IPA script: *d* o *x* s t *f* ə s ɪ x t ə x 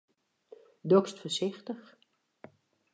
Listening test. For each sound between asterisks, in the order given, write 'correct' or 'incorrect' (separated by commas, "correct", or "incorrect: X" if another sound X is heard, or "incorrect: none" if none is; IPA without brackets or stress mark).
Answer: correct, incorrect: k, correct